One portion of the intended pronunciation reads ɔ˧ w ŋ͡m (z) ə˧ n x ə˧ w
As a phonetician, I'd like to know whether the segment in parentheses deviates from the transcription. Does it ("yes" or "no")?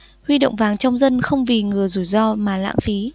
no